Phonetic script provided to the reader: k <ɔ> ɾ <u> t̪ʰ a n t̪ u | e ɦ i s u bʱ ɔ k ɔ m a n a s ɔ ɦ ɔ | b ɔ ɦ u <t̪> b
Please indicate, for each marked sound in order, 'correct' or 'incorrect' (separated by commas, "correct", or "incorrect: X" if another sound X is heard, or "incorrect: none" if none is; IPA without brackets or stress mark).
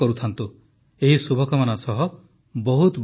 correct, correct, correct